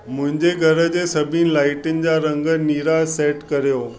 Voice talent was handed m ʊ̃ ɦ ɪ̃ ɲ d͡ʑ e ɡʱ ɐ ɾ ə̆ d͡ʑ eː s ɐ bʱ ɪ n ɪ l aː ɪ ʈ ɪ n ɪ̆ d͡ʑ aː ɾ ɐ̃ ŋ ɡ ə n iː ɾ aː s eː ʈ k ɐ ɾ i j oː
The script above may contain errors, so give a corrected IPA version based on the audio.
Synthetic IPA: m ʊ̃ ɦ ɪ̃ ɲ d͡ʑ e ɡʱ ɐ ɾ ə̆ d͡ʑ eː s ɐ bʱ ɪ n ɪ l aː ɪ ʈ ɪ n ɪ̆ d͡ʑ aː ɾ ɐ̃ ŋ ɡ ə n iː ɾ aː s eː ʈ k ɐ ɾ i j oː

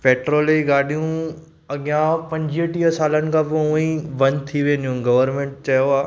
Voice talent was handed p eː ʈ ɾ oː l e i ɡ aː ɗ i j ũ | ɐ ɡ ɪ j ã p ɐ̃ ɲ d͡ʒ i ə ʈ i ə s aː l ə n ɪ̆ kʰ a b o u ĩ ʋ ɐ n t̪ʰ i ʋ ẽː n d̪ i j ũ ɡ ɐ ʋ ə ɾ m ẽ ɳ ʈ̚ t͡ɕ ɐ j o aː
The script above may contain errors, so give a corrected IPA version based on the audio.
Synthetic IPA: p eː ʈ ɾ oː l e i ɡ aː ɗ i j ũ | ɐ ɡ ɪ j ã p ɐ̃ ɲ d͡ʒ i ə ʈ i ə s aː l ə n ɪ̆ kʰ a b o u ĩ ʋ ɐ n t̪ʰ i ʋ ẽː n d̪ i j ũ ɡ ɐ ʋ ə ɾ m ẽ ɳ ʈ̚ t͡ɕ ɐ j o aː

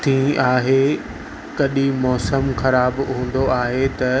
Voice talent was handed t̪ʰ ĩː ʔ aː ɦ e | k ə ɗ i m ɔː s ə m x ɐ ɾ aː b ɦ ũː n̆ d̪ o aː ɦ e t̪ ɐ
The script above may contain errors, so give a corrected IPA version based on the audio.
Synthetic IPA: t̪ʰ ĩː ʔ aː ɦ e | k ɐ ɗ i m ɔː s ə m x ɐ ɾ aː b ɦ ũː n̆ d̪ o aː ɦ e t̪ ɐ

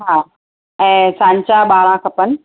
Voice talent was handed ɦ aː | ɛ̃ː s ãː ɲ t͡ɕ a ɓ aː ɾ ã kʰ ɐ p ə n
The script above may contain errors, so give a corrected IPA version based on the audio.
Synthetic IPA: ɦ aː | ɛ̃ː s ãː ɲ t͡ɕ a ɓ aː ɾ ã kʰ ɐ p ə n

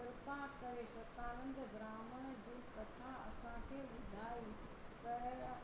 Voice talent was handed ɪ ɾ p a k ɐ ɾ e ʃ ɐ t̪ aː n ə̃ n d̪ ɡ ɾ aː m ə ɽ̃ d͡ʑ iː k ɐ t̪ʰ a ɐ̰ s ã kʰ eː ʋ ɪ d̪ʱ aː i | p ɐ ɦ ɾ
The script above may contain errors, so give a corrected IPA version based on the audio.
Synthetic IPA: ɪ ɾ p a k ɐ ɾ e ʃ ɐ t̪ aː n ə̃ n d̪ ɡ ɾ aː m ə ɽ̃ d͡ʑ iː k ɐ t̪ʰ a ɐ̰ s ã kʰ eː ʋ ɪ d̪ʱ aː i | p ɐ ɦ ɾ

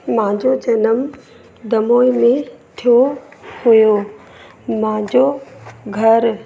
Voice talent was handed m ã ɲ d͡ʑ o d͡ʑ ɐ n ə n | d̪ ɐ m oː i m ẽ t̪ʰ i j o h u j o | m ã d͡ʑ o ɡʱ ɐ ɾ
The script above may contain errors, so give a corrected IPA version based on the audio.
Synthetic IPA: m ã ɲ d͡ʑ o d͡ʑ ɐ n ə m | d̪ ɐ m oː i m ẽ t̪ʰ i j o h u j o | m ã d͡ʑ o ɡʱ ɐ ɾ

